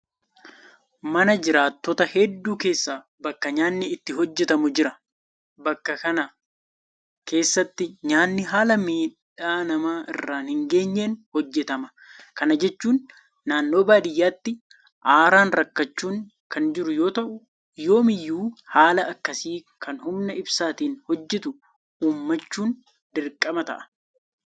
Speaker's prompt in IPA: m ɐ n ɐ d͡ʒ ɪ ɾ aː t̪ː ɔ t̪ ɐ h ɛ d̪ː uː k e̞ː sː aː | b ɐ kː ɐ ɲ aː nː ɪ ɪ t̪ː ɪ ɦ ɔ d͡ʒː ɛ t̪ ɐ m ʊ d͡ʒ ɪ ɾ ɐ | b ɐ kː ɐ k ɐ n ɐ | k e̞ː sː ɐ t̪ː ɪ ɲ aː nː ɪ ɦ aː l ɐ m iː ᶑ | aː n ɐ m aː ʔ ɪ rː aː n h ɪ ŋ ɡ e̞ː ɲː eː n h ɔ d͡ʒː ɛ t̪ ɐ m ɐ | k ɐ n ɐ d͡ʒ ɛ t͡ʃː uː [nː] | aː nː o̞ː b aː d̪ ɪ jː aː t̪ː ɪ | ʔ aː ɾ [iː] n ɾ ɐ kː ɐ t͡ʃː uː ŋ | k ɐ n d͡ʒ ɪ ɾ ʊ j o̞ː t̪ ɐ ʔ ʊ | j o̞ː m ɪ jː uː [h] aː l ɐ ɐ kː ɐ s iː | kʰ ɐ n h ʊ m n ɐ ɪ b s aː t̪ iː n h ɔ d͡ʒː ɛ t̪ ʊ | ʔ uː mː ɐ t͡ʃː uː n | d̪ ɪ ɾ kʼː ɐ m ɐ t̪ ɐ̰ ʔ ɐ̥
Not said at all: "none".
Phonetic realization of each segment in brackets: nː, aː, h

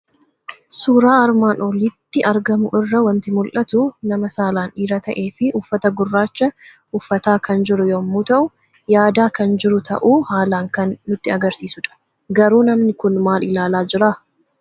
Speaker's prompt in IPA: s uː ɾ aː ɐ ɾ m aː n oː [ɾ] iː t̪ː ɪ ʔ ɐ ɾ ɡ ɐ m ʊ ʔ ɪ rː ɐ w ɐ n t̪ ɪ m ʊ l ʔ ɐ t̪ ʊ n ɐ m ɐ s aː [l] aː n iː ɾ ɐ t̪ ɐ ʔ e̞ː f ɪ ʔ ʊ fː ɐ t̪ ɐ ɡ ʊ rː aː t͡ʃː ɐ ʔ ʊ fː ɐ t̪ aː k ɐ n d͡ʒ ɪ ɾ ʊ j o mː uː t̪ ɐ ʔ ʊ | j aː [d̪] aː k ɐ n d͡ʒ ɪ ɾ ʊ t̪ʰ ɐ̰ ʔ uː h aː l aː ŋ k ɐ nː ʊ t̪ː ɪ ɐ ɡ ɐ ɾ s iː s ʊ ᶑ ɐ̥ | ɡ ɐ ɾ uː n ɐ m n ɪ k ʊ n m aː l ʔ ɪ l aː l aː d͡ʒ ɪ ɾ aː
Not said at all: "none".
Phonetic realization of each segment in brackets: l, l, d̪

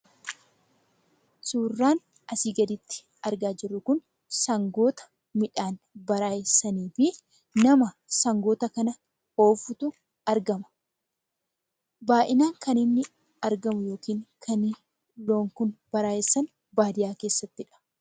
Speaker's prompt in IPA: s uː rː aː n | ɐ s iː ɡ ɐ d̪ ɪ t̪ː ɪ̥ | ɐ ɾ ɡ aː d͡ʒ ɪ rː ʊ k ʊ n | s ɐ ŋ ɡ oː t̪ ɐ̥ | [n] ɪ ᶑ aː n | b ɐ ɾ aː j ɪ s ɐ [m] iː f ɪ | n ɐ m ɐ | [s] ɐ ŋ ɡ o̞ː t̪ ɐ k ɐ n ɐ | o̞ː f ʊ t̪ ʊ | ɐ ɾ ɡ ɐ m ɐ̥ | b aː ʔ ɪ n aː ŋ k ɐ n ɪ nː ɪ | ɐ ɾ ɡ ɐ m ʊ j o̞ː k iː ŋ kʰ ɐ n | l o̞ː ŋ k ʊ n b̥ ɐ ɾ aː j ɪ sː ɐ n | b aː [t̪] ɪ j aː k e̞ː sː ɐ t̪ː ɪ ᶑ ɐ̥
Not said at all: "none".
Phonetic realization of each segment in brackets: m, n, s, d̪

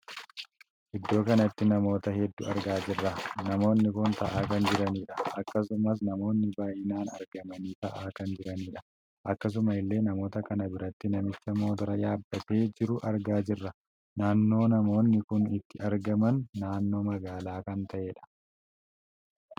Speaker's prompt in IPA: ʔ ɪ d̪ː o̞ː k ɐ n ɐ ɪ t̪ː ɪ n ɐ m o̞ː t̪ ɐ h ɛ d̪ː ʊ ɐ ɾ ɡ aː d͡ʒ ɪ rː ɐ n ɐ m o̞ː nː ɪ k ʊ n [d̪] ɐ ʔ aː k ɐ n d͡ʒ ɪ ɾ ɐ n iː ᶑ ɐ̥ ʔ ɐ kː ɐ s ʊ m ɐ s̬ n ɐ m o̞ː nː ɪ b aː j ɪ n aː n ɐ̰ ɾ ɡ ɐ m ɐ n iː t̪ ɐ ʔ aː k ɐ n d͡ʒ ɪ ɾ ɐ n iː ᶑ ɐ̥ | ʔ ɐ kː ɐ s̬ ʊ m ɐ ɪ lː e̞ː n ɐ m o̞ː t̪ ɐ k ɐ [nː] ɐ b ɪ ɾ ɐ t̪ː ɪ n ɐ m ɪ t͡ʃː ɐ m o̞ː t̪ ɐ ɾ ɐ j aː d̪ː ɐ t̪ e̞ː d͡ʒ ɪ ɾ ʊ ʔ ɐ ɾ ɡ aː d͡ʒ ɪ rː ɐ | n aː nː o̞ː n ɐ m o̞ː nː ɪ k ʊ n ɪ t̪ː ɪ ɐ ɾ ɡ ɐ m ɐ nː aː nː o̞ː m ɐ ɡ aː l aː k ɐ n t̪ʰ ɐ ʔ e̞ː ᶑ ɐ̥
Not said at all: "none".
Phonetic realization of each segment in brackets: t̪, n

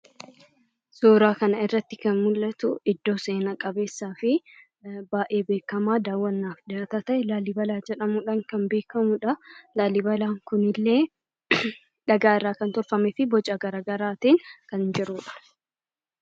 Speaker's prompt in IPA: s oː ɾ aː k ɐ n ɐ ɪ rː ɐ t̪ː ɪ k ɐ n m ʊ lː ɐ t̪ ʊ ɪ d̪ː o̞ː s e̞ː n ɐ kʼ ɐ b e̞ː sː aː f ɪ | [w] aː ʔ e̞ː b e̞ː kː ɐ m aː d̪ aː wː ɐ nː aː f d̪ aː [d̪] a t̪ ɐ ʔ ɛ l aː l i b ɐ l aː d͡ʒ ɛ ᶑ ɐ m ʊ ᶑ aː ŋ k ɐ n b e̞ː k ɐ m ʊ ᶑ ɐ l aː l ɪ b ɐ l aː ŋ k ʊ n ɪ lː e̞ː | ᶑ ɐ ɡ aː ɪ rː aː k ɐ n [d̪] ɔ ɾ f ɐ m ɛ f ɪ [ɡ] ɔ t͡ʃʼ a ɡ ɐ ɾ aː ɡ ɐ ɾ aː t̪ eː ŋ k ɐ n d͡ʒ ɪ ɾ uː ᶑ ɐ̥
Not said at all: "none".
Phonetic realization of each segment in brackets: b, t̪, t̪, b

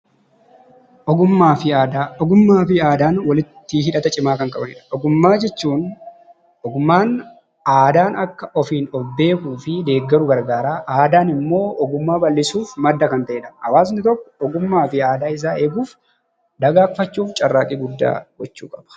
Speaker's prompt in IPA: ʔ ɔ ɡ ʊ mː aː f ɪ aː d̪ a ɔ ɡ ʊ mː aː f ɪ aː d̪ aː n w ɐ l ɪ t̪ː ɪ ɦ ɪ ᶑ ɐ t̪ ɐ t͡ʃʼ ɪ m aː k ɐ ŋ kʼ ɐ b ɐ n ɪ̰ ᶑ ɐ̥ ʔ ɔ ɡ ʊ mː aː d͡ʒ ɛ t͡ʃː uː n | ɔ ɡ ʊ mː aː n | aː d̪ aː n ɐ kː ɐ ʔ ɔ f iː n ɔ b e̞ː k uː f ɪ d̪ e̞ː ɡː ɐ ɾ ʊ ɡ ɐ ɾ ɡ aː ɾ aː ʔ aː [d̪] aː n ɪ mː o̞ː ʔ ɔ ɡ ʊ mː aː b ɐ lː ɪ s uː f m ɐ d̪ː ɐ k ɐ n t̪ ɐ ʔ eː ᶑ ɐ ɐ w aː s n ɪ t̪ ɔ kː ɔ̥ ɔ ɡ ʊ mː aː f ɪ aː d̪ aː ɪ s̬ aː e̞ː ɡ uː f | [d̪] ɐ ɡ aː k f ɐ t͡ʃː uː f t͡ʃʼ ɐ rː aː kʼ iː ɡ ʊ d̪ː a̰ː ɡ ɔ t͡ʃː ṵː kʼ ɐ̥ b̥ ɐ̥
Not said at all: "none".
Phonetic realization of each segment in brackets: d̪, d̪

